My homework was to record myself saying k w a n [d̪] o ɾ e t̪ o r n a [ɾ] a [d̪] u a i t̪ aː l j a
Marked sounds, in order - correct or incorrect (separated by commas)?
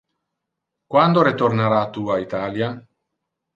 correct, correct, incorrect